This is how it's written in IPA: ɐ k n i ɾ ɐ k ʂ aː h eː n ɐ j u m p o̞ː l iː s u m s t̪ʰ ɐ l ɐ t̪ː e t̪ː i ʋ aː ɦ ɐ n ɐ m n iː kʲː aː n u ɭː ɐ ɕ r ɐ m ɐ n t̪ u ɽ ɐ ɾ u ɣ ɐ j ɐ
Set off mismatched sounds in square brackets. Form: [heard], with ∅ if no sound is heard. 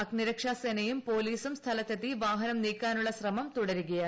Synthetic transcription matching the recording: ɐ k n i ɾ ɐ k ʂ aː [s] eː n ɐ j u m p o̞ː l iː s u m s t̪ʰ ɐ l ɐ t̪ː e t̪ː i ʋ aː ɦ ɐ n ɐ m n iː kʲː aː n u ɭː ɐ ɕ r ɐ m ɐ [m] t̪ u ɽ ɐ ɾ u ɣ ɐ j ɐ